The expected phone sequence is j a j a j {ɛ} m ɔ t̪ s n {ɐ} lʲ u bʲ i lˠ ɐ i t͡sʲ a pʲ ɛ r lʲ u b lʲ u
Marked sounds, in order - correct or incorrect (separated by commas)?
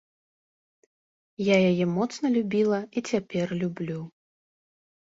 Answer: correct, correct